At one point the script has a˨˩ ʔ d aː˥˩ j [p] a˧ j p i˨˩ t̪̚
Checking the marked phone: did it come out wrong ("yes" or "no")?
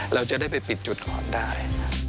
no